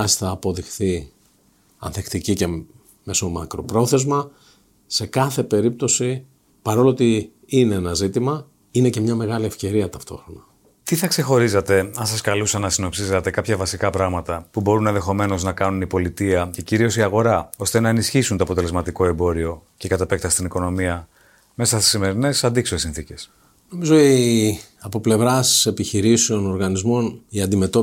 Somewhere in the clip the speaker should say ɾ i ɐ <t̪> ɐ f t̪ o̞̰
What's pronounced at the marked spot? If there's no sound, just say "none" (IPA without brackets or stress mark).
t̪